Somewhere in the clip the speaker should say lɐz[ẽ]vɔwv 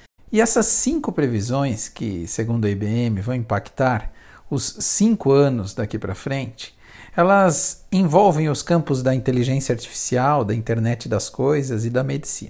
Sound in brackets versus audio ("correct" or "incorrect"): correct